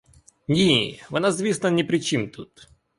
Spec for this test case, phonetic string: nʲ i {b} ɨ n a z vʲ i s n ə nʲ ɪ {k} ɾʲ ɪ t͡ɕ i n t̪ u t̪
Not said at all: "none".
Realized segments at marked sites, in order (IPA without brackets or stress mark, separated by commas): v, p